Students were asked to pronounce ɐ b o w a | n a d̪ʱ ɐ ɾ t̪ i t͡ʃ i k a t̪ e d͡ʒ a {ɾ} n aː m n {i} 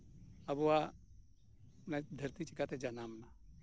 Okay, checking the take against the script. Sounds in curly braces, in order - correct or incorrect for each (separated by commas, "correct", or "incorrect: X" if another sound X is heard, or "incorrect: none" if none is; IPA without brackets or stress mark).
incorrect: none, incorrect: a